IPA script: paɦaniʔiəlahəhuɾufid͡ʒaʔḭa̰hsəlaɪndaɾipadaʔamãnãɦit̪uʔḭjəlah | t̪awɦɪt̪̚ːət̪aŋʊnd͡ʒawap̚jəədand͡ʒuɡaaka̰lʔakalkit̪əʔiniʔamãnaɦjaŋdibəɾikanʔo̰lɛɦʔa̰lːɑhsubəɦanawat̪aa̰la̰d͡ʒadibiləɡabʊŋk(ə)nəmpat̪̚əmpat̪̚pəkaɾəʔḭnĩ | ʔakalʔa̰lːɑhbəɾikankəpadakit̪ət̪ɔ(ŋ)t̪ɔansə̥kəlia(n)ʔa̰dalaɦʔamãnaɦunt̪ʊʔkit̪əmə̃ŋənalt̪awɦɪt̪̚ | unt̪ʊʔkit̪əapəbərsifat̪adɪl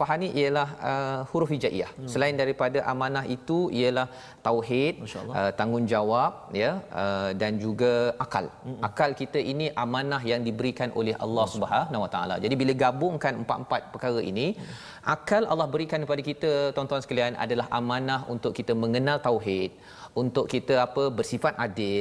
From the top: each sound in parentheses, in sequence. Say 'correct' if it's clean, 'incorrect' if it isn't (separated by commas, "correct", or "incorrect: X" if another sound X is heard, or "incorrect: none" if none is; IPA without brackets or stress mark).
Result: incorrect: a, incorrect: n, correct